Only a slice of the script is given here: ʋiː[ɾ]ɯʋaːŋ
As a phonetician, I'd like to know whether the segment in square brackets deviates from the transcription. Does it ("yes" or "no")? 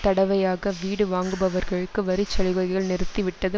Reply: yes